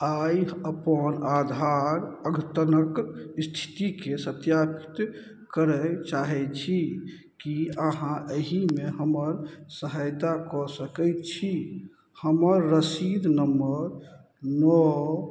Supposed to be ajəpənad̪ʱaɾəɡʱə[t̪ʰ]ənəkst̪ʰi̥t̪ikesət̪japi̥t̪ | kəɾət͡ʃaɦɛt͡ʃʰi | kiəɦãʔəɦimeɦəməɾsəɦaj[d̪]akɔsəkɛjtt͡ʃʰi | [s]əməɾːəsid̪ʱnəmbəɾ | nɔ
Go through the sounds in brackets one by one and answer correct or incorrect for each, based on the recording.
incorrect: t̪, incorrect: t̪, incorrect: h

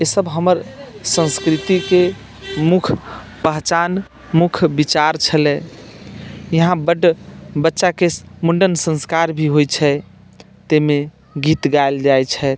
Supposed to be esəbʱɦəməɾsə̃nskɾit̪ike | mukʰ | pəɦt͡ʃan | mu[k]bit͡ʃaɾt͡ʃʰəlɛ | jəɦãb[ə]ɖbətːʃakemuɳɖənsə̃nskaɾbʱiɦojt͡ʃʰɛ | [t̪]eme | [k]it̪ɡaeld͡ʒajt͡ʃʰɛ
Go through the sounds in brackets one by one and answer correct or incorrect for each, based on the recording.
incorrect: kʰ, correct, correct, incorrect: ɡ

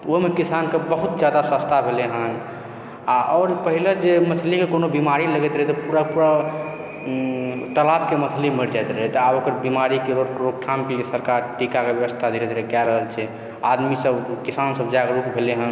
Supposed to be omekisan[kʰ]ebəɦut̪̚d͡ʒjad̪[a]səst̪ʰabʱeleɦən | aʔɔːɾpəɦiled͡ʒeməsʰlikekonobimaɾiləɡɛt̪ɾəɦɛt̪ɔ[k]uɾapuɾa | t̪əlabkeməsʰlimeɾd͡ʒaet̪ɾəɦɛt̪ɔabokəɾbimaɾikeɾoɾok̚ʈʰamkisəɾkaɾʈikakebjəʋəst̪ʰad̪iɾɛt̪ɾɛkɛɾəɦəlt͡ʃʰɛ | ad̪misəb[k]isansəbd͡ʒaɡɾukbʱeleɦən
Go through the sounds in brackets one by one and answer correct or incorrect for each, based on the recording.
incorrect: k, correct, incorrect: p, correct

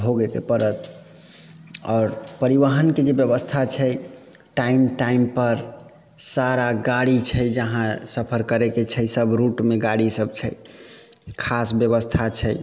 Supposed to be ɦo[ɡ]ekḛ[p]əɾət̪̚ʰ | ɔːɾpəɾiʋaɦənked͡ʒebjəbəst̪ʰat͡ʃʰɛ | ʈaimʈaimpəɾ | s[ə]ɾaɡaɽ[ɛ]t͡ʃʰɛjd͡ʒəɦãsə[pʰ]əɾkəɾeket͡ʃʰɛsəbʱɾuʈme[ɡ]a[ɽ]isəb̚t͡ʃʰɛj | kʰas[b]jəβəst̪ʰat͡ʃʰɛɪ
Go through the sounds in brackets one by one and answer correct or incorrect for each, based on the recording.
correct, correct, incorrect: a, incorrect: i, correct, correct, correct, correct

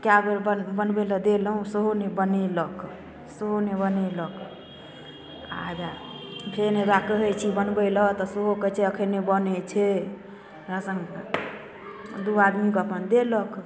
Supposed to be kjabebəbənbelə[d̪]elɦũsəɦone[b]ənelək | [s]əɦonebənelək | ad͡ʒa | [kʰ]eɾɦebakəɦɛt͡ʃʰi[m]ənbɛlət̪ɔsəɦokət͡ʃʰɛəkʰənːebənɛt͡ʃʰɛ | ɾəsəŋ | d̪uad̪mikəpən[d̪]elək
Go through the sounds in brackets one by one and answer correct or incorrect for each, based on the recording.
correct, correct, correct, incorrect: pʰ, incorrect: b, correct

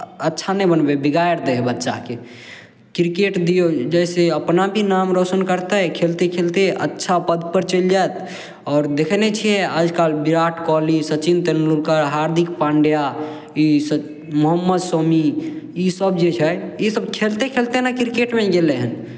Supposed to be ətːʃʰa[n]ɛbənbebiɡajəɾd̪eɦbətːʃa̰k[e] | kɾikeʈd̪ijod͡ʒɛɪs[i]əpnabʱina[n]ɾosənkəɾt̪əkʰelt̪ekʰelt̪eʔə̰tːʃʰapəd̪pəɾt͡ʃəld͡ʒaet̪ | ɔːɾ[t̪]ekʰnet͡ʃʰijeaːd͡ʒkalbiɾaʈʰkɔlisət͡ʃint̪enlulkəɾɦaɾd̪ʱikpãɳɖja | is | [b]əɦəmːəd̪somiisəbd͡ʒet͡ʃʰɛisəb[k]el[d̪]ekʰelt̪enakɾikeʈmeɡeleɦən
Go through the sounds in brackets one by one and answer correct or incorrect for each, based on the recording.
correct, correct, incorrect: e, incorrect: m, incorrect: d̪, incorrect: m, incorrect: kʰ, incorrect: t̪

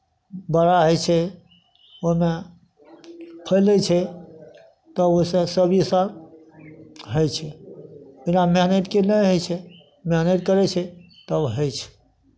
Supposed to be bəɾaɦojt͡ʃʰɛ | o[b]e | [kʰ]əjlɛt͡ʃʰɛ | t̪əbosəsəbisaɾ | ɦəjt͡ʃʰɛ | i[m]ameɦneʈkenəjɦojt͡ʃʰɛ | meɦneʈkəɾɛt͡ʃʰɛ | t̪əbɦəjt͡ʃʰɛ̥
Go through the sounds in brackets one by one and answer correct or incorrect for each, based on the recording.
incorrect: m, incorrect: pʰ, incorrect: n

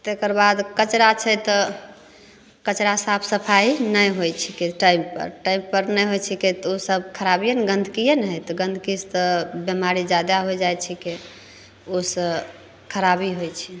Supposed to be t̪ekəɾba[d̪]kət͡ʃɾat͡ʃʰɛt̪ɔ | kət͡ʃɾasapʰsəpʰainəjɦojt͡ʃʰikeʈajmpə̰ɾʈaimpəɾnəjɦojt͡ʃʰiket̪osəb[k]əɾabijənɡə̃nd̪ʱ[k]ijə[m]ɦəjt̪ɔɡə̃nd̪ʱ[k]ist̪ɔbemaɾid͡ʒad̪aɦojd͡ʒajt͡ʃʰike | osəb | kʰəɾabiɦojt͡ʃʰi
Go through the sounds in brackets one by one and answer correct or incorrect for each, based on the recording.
correct, incorrect: kʰ, correct, incorrect: n, correct

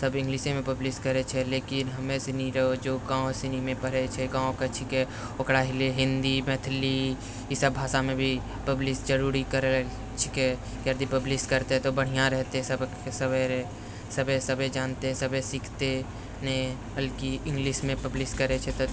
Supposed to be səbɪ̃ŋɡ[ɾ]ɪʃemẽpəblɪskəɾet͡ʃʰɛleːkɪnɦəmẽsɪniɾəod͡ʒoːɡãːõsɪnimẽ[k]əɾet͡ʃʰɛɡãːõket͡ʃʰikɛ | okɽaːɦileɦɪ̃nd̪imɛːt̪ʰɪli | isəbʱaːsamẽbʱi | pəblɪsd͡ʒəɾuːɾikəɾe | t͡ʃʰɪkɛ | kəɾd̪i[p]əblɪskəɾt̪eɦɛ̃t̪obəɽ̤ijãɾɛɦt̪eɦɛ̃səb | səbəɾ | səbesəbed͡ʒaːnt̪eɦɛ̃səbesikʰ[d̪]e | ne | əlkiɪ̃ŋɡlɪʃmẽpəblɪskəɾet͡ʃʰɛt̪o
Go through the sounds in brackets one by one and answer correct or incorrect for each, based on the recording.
incorrect: l, incorrect: p, correct, incorrect: t̪

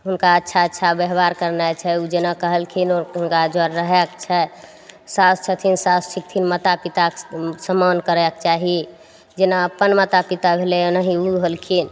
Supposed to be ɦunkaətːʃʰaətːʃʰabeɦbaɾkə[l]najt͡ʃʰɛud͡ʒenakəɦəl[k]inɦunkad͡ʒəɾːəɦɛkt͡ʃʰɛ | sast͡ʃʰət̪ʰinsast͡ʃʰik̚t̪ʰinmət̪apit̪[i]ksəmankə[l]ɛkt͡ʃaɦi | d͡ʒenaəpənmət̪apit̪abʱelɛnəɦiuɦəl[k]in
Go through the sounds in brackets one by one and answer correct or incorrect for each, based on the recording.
incorrect: ɾ, incorrect: kʰ, incorrect: a, incorrect: ɾ, incorrect: kʰ

